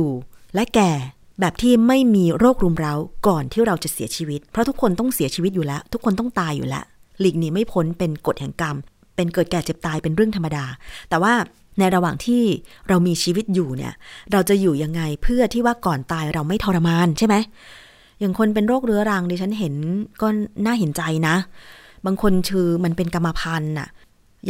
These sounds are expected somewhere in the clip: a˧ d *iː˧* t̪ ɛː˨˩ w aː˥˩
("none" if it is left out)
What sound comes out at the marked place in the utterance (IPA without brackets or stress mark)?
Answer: aː˧